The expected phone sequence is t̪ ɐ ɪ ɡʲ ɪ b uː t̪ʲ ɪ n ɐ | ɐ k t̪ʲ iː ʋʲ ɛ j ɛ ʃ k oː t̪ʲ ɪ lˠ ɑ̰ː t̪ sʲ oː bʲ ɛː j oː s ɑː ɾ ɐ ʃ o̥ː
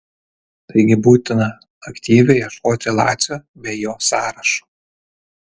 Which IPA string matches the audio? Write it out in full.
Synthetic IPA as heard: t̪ ɐ ɪ ɡʲ ɪ b uː t̪ʲ ɪ n ɐ | ɐ k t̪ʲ iː ʋʲ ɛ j ɛ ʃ k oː t̪ʲ ɪ lˠ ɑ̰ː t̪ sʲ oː bʲ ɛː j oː s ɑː ɾ ɐ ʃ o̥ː